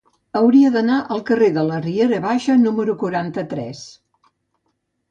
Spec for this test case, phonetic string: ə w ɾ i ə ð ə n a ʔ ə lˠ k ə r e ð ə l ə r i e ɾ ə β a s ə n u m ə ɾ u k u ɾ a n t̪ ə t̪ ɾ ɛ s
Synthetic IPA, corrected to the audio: ə w ɾ i ə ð ə n a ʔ ə lˠ k ə r e ð ə l ə r i e ɾ ə β a ʃ ə n u m ə ɾ u k u ɾ a n t̪ ə t̪ ɾ ɛ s

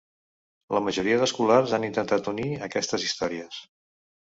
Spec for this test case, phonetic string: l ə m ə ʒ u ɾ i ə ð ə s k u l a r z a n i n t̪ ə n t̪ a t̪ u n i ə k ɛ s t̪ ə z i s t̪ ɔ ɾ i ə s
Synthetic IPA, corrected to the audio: l ə m ə ʒ u ɾ i ə ð ə s k u l a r z a n i n t̪ ə n t̪ a t̪ u n i ə k ɛ s t̪ ə z i s t̪ ɔ ɾ i ə s

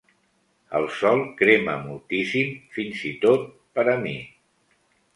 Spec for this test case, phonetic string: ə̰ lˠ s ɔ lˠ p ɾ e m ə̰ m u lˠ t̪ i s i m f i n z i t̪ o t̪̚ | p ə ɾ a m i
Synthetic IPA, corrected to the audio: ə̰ lˠ s ɔ lˠ k ɾ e m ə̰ m u lˠ t̪ i s i m f i n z i t̪ o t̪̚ | p ə ɾ ə m i

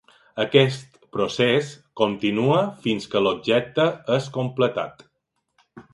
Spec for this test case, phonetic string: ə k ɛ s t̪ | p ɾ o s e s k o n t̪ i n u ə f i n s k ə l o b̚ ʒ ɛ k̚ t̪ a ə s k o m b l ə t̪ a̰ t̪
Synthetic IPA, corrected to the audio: ə k ɛ s t̪ | p ɾ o s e s k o n t̪ i n u ə f i n s k ə l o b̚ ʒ ɛ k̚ t̪ ə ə s k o m p l ə t̪ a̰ t̪

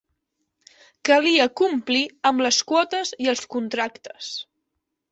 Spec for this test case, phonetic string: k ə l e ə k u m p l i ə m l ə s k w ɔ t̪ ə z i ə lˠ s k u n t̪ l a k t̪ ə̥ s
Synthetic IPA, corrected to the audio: k ə l i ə k u m p l i ə m l ə s k w ɔ t̪ ə z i ə lˠ s k u n t̪ ɾ a k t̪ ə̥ s

